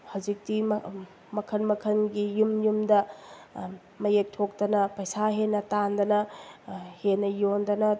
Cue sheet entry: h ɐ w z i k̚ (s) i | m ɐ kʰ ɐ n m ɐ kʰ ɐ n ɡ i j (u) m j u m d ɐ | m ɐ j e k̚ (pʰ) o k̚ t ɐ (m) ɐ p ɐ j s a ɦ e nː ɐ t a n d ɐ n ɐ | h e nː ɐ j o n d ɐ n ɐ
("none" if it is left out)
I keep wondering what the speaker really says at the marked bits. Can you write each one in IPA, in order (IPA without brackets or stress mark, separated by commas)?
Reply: t, u, tʰ, n